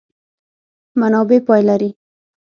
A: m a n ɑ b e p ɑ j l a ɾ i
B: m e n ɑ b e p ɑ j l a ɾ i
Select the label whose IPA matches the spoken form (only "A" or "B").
A